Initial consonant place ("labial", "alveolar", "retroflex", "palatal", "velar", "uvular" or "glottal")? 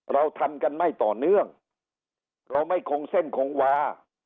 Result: alveolar